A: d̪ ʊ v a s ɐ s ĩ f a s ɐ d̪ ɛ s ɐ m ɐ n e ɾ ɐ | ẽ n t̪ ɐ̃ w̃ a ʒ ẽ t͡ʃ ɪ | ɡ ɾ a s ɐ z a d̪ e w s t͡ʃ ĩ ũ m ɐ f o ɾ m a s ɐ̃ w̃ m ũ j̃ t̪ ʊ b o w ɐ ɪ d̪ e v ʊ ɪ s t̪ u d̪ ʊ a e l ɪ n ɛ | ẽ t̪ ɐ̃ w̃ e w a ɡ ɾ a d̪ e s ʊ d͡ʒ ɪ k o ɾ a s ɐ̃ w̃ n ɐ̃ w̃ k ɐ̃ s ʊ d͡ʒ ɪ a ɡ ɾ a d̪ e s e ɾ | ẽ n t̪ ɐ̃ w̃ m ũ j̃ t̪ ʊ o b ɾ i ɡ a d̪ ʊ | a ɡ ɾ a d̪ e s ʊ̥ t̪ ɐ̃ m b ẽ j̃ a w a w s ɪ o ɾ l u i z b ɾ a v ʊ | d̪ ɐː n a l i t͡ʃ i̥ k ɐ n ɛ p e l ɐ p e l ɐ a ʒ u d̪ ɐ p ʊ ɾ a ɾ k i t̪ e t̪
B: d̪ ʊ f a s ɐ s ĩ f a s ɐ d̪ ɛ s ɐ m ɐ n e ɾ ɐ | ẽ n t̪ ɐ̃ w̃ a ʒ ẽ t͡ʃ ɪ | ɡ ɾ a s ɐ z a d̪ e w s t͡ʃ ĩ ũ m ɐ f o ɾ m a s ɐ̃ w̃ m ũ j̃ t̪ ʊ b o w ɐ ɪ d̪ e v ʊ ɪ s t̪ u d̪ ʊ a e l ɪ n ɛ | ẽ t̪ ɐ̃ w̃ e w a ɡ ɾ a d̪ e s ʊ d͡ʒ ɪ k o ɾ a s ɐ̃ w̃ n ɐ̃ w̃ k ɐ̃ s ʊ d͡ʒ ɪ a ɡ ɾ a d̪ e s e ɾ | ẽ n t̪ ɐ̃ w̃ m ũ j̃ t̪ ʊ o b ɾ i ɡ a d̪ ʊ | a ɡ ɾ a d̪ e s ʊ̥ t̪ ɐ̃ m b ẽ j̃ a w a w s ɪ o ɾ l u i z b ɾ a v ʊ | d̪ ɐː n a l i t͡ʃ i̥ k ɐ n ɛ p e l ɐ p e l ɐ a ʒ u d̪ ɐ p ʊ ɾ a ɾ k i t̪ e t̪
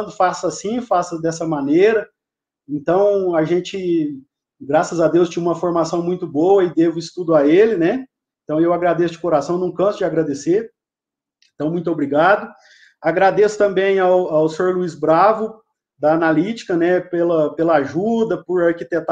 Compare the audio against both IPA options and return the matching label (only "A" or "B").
B